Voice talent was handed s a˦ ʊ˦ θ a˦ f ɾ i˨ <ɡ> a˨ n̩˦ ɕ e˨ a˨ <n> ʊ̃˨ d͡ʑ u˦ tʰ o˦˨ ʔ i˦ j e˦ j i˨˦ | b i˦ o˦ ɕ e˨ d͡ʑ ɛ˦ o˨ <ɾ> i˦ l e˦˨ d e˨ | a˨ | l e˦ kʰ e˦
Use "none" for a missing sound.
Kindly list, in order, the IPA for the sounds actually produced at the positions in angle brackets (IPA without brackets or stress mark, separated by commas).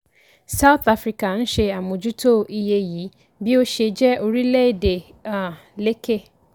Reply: k, m, ɾ